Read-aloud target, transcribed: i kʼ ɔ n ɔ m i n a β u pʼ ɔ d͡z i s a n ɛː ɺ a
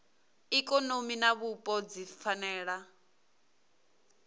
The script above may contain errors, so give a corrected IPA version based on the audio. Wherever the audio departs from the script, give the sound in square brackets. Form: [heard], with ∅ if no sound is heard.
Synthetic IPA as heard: i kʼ ɔ n [o] m i n a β u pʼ ɔ d͡z i [f] a n ɛː ɺ a